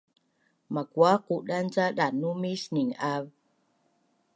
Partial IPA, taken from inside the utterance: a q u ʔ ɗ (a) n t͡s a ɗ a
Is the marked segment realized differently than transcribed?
no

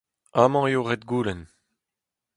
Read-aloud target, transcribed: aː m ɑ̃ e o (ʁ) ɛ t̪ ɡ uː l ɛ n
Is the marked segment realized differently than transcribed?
no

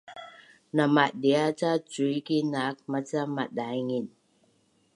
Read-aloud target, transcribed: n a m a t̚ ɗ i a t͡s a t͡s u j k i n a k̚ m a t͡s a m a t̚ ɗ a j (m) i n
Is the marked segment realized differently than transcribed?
yes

